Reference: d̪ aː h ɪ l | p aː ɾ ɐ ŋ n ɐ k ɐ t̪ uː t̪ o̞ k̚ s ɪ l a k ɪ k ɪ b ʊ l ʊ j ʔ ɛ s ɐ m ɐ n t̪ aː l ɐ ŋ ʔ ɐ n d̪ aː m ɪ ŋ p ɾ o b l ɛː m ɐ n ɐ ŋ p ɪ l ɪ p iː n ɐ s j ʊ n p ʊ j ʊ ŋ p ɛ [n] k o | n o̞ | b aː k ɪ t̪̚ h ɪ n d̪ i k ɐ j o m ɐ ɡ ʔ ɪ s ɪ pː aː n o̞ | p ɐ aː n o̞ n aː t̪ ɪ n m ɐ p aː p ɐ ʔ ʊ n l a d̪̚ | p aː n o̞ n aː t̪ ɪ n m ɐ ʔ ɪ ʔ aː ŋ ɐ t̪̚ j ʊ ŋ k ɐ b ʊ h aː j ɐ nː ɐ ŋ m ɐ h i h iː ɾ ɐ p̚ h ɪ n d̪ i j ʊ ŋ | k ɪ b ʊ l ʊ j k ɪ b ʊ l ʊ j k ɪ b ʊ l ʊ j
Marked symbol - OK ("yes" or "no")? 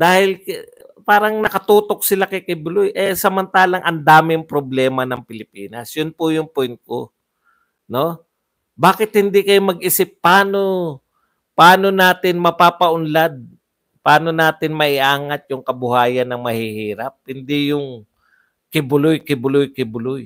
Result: yes